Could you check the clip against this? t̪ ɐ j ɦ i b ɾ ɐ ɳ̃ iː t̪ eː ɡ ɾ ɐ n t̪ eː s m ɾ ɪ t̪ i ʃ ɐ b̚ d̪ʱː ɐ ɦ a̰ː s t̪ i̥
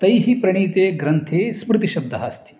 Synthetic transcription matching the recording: t̪ ɐ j ɦ i p ɾ ɐ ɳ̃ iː t̪ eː ɡ ɾ ɐ n t̪ʰ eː s m ɾ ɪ t̪ i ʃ ɐ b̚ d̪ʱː ɐ ɦ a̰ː s t̪ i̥